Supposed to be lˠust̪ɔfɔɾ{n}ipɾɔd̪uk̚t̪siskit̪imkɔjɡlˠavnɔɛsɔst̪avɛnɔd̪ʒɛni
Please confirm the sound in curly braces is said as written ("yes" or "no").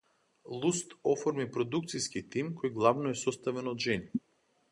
no